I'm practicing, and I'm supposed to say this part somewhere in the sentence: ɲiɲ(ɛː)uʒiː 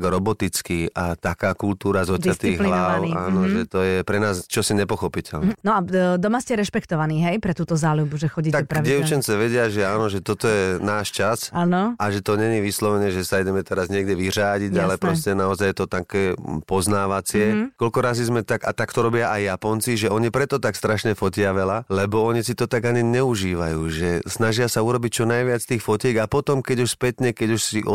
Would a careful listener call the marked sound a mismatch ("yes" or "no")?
yes